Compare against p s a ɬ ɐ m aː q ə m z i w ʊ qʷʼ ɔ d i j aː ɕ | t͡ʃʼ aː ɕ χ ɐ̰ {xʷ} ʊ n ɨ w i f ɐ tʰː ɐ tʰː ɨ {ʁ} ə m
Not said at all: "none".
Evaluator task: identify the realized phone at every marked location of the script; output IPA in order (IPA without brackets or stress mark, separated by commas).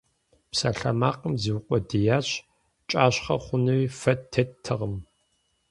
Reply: χʷ, ʁ